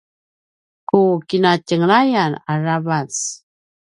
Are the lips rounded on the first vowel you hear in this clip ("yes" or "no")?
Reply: yes